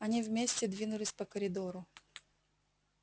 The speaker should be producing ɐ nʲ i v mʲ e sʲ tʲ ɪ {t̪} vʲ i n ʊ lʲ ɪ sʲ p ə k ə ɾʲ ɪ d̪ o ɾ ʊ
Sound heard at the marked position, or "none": d̪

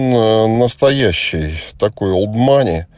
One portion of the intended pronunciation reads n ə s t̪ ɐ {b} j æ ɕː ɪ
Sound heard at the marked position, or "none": none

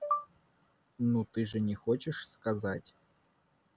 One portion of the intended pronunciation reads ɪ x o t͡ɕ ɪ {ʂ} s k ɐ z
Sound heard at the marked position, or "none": ʂ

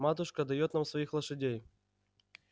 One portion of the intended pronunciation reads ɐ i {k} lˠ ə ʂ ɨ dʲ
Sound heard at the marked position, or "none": x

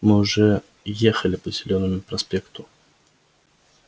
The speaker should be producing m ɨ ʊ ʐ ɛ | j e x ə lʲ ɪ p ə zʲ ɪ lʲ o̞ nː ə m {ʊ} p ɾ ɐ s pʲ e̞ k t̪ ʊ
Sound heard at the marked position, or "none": ʊ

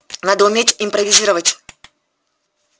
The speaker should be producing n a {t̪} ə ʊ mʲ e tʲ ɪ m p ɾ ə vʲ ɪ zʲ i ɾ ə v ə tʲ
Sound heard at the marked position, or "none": d̪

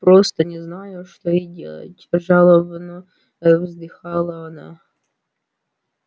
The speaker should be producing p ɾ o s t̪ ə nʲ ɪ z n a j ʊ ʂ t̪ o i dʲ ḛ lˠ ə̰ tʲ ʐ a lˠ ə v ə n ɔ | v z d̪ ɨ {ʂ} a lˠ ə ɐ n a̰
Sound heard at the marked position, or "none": x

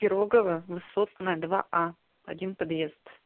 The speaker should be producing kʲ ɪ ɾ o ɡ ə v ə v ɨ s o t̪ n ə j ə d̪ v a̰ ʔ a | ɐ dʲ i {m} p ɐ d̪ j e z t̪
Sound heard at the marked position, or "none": n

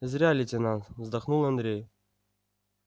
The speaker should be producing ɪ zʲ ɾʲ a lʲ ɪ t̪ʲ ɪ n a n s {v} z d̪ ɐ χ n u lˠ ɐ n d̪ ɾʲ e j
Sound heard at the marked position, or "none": v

